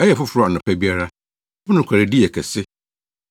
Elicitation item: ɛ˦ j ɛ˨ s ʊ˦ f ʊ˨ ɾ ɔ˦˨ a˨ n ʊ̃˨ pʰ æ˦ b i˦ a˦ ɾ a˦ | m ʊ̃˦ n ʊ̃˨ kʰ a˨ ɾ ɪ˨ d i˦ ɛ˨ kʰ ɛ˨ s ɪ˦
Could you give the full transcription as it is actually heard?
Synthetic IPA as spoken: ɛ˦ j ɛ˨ f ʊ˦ f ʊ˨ ɾ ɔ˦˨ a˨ n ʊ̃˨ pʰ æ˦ b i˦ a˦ ɾ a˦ | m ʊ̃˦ n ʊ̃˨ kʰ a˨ ɾ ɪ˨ d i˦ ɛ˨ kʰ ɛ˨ s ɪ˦